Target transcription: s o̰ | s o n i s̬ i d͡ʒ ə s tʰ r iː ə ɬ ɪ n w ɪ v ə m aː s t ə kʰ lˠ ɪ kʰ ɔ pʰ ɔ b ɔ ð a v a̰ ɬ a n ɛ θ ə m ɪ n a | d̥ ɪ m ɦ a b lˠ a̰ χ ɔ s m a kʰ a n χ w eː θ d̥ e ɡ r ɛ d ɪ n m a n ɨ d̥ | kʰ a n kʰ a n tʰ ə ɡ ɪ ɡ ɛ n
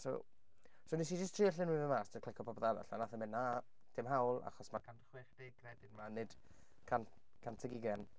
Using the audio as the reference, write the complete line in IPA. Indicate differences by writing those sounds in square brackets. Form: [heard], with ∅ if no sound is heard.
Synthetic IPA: s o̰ | s o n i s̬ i d͡ʒ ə s tʰ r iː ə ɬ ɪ n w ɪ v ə m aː s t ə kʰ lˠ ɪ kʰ ɔ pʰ ɔ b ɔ ð a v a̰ ɬ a n [a] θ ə m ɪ n a | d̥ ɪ m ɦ a [w] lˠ a̰ χ ɔ s m a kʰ a n χ w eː [χ] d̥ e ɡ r ɛ d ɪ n m a n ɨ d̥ | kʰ a n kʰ a n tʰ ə ɡ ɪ ɡ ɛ n